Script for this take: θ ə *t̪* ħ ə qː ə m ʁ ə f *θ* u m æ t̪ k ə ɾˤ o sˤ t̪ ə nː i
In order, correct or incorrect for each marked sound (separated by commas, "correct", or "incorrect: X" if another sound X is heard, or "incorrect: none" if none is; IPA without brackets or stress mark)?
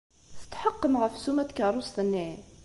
correct, incorrect: s